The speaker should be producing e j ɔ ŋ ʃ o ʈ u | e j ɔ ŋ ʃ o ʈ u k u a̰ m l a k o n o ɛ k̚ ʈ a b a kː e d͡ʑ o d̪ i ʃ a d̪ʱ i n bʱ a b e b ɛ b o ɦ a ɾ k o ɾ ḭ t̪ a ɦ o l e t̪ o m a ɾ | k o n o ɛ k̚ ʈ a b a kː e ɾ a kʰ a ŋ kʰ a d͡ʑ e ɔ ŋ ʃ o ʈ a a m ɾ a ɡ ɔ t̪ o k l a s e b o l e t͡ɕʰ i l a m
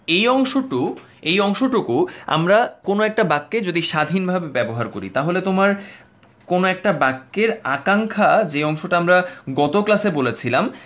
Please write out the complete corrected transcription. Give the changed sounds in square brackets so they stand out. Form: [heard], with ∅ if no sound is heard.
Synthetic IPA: e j ɔ ŋ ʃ o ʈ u | e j ɔ ŋ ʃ o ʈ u k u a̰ m [ɾ] a k o n o ɛ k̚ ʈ a b a kː e d͡ʑ o d̪ i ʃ a d̪ʱ i n bʱ a b e b ɛ b o ɦ a ɾ k o ɾ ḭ t̪ a ɦ o l e t̪ o m a ɾ | k o n o ɛ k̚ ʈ a b a kː e ɾ a [k] a ŋ kʰ a d͡ʑ e ɔ ŋ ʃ o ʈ a a m ɾ a ɡ ɔ t̪ o k l a s e b o l e t͡ɕʰ i l a m